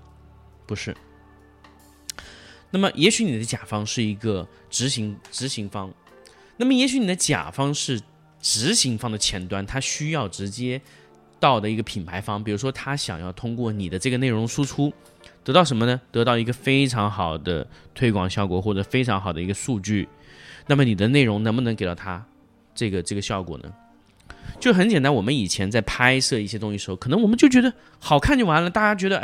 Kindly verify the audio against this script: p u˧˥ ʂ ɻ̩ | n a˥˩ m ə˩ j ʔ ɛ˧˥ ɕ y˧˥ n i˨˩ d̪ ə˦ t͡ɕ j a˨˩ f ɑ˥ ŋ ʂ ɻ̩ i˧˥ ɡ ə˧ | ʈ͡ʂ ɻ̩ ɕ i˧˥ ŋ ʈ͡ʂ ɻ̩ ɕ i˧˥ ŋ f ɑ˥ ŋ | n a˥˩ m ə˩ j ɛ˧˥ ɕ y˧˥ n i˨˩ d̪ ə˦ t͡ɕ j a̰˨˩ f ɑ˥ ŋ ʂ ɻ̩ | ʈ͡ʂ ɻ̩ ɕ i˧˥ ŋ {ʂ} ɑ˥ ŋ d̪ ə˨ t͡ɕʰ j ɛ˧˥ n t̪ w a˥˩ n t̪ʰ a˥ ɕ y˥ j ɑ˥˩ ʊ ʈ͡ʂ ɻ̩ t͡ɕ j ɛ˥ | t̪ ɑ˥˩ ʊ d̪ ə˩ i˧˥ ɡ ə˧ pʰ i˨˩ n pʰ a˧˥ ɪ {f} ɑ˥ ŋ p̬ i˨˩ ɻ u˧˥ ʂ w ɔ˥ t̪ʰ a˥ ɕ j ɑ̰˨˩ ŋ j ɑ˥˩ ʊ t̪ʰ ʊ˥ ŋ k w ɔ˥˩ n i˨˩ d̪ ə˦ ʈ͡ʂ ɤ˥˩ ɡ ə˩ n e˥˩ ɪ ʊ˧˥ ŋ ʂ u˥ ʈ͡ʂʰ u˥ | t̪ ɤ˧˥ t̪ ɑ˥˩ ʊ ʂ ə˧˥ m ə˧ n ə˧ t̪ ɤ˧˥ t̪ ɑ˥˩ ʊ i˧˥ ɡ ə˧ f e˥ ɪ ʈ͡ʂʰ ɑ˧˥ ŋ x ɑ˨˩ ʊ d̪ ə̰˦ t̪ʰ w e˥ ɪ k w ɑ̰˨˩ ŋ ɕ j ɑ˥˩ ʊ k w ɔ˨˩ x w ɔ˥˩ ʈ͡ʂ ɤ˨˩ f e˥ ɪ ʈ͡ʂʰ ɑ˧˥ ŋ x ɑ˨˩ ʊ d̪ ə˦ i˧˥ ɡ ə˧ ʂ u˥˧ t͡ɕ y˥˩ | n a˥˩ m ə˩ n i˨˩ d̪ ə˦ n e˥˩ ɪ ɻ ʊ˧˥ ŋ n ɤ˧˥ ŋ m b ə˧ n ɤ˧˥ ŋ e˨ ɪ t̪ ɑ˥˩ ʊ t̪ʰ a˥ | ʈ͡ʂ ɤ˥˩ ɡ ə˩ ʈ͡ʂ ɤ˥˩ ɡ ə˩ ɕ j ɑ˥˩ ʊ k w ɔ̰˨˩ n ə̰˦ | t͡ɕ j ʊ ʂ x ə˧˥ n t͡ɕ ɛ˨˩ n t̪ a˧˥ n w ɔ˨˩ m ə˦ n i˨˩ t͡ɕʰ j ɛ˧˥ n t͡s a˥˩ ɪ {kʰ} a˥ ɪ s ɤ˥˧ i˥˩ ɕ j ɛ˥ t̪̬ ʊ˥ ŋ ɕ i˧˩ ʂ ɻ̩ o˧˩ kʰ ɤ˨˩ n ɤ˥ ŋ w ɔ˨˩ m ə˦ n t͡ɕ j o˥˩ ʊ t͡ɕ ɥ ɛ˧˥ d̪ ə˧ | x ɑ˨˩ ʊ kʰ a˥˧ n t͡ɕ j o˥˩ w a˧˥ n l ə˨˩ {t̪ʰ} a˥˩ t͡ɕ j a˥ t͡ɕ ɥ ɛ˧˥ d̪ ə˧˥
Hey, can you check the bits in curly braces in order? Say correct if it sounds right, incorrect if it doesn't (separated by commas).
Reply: incorrect, correct, incorrect, incorrect